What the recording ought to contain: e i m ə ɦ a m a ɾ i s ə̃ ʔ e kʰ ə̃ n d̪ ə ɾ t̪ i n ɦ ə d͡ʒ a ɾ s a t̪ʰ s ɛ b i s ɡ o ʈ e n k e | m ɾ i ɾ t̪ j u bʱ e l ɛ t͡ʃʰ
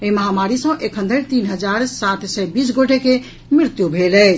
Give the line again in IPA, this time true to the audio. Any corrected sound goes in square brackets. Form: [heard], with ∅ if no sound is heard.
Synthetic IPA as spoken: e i m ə ɦ a m a ɾ i s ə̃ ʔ e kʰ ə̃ n d̪ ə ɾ t̪ i n ɦ ə d͡ʒ a ɾ s a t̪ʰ s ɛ b i s ɡ o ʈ e [∅] k e | m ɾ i ɾ t̪ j u bʱ e l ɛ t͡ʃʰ